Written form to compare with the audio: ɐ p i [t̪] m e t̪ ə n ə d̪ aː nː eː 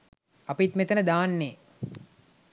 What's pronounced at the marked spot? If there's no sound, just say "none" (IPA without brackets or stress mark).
t̪